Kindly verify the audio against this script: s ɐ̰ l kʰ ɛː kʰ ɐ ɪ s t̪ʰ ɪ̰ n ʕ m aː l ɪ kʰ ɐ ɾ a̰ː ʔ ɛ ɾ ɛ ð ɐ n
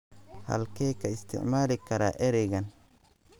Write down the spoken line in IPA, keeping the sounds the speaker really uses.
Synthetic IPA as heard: h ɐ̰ l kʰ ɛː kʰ ɐ ɪ s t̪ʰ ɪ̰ ʕ m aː l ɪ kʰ ɐ ɾ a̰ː ʔ ɛ ɾ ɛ ɣ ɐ n